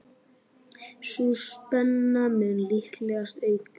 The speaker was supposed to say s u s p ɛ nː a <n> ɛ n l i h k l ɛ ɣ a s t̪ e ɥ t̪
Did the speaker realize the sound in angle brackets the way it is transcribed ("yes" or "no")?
no